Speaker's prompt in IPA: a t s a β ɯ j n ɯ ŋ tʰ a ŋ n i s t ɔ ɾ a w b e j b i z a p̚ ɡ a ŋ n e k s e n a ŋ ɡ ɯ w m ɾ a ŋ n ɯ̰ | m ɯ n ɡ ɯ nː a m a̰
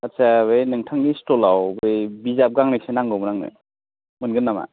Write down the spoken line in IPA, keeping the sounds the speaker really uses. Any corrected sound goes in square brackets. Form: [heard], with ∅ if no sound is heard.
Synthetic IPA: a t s a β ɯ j n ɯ ŋ tʰ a ŋ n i s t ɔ [l] a w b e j b i z a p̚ ɡ a ŋ n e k s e n a ŋ ɡ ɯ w m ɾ a ŋ n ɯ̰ | m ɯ n ɡ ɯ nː a m a̰